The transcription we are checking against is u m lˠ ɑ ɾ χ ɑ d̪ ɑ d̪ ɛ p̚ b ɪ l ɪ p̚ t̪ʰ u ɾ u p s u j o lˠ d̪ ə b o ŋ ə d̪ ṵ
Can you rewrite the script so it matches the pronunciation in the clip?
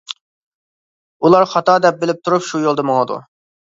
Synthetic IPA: u lˠ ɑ ɾ χ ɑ t̪ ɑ d̪ ɛ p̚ b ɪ l ɪ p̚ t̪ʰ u ɾ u p ʃ u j o lˠ d̪ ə m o ŋ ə d̪ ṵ